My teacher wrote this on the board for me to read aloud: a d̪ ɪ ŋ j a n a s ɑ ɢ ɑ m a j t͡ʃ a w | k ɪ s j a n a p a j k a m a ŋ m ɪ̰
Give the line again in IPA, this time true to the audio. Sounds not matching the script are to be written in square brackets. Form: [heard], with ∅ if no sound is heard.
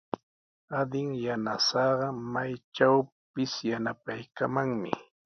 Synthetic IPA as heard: a d̪ ɪ ŋ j a n a s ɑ ɢ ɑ m a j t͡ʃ a w | [p] ɪ s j a n a p a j k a m a ŋ m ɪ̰